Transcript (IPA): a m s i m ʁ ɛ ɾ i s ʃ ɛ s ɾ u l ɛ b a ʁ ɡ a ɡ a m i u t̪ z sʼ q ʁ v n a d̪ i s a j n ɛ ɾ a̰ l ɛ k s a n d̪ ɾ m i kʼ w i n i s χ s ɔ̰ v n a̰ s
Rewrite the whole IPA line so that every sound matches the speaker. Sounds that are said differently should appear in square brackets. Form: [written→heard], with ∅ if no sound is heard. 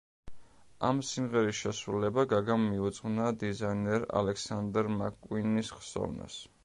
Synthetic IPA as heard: a m s i m ʁ ɛ ɾ i s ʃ ɛ s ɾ u l ɛ b a [ʁ→∅] ɡ a ɡ a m i u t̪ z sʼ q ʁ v n a d̪ i [s→z] a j n ɛ ɾ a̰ l ɛ k s a n d̪ ɾ m [i→a] kʼ w i n i s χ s ɔ̰ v n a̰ s